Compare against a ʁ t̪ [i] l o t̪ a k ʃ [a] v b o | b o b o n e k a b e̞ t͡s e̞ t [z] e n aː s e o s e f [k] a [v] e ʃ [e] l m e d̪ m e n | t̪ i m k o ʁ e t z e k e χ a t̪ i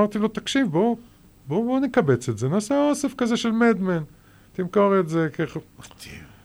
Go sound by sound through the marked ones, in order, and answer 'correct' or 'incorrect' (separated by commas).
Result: correct, incorrect, correct, correct, incorrect, correct